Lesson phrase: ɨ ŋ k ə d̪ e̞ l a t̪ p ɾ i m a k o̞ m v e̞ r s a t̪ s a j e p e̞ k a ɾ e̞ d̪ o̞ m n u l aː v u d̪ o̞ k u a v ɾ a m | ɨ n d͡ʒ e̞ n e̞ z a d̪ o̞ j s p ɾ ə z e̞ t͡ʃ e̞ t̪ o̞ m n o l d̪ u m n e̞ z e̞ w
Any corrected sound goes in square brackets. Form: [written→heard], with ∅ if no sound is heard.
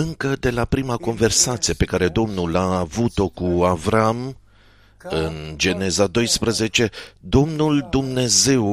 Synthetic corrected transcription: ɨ ŋ k ə d̪ e̞ l a [t̪→∅] p ɾ i m a k o̞ [m→n] v e̞ r s a t̪ s [a→i] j e p e̞ k a ɾ e̞ d̪ o̞ m n u l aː v u [d̪→t̪] o̞ k u a v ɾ a m | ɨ n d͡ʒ e̞ n e̞ z a d̪ o̞ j s p ɾ ə z e̞ t͡ʃ e̞ [t̪→d̪] o̞ m n [o→u] l d̪ u m n e̞ z e̞ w